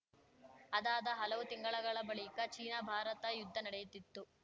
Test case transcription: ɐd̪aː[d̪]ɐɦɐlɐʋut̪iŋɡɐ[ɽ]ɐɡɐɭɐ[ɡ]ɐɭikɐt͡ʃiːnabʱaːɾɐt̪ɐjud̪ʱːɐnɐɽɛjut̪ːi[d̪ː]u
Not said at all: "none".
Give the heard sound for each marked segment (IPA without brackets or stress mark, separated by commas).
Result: d̪, ɭ, b, t̪ː